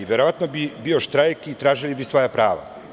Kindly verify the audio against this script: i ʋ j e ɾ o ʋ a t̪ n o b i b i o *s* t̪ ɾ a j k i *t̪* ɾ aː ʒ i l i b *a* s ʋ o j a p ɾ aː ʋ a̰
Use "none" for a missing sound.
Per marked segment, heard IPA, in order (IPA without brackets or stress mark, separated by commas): ʃ, t̪, i